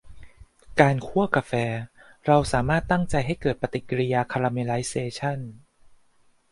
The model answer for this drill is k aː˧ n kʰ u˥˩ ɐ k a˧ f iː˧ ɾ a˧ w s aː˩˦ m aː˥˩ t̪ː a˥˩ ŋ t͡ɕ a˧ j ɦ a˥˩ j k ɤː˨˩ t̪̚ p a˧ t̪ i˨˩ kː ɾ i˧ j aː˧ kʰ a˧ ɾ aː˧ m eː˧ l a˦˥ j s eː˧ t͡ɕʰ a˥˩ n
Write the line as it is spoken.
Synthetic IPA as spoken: k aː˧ n kʰ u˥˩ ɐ k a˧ f ɛː˧ ɾ a˧ w s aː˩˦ m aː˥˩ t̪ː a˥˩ ŋ t͡ɕ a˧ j ɦ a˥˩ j k ɤː˨˩ t̪̚ p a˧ t̪ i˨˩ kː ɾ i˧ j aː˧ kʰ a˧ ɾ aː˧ m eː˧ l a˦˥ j s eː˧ t͡ɕʰ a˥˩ n